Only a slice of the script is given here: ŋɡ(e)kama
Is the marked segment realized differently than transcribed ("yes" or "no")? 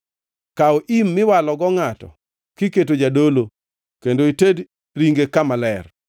no